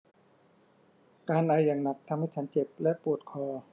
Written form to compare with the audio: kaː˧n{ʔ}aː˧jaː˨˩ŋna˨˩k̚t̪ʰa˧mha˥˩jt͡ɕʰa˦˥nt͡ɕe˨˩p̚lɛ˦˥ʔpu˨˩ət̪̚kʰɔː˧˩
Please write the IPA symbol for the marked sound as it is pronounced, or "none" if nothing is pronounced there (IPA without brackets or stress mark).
ʔ